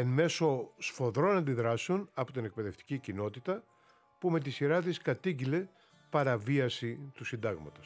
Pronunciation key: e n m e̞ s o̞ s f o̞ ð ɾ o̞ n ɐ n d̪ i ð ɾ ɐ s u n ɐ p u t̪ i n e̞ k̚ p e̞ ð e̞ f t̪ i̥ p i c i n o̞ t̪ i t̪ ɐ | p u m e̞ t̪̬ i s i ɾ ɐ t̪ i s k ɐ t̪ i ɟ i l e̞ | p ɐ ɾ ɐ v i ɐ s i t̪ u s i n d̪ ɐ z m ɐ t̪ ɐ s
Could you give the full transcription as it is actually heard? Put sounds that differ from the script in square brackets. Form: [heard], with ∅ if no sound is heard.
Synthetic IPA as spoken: e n m e̞ s o̞ s f o̞ ð ɾ o̞ n ɐ n d̪ i ð ɾ ɐ s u n ɐ p [o] t̪ i n e̞ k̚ p e̞ ð e̞ f t̪ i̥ [c] i c i n o̞ t̪ i t̪ ɐ | p u m e̞ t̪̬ i s i ɾ ɐ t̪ i s k ɐ t̪ i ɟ i l e̞ | p ɐ ɾ ɐ v i ɐ s i t̪ u s i n d̪ ɐ [ɣ] m ɐ t̪ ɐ s